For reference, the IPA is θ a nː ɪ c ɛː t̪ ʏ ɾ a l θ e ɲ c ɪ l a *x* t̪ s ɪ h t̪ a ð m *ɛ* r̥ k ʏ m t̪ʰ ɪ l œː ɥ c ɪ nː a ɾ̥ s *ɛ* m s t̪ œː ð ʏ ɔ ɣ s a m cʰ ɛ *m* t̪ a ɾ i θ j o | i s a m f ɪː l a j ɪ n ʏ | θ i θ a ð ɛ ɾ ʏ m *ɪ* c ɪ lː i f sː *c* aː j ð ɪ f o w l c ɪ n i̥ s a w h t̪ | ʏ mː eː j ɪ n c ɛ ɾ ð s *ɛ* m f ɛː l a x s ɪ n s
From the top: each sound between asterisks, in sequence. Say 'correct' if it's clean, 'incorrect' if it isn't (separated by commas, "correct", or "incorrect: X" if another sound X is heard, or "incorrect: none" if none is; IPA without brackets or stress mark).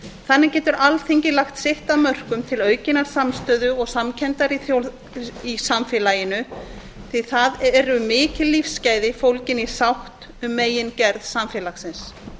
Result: correct, incorrect: œ, incorrect: a, incorrect: n, incorrect: ɪː, correct, incorrect: a